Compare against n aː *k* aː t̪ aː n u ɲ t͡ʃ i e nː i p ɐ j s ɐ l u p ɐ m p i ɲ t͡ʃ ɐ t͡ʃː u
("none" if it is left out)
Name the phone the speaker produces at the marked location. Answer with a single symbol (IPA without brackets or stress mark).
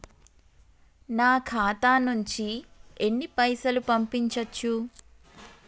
kʰ